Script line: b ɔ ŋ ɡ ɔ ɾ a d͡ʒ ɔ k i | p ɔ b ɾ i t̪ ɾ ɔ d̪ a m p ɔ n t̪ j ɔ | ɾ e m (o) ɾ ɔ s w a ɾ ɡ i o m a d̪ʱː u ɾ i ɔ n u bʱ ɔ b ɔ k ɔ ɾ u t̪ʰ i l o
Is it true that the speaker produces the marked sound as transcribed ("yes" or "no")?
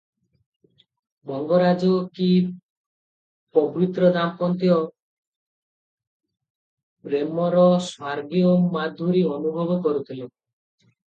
no